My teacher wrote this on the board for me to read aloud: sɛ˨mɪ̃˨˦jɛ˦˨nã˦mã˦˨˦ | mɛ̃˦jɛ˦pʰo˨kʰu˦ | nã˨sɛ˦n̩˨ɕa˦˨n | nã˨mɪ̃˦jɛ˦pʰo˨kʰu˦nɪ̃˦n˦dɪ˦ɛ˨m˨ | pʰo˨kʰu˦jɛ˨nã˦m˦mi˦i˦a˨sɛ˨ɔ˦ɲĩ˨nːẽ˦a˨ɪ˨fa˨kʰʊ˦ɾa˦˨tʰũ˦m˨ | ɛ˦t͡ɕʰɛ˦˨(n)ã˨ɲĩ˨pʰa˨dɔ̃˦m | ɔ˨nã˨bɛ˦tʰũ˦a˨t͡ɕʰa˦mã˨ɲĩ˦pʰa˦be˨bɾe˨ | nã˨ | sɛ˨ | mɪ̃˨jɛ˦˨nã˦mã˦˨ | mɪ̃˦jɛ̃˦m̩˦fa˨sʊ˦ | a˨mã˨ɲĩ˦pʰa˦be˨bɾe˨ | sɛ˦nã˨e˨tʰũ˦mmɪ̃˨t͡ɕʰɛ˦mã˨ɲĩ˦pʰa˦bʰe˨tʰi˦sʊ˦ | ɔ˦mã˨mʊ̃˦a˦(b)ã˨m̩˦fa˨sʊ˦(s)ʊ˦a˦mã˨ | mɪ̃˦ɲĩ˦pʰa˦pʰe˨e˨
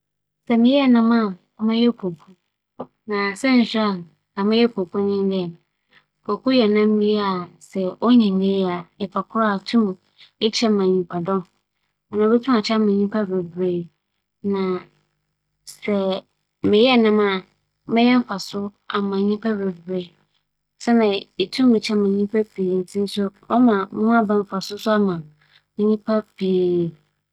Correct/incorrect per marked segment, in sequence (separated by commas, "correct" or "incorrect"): incorrect, correct, correct